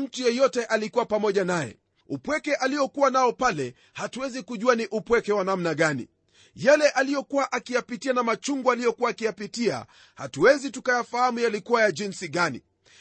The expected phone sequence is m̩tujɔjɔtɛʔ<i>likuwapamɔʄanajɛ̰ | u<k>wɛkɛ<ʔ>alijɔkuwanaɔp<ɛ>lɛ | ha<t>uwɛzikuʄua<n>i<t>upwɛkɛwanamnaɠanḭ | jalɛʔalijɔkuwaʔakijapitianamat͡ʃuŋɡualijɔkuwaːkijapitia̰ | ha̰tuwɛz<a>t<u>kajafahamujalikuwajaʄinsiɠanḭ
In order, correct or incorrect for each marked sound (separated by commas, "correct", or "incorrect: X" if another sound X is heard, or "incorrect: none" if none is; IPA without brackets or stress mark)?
incorrect: a, incorrect: p, correct, incorrect: a, correct, correct, incorrect: ʔ, incorrect: i, correct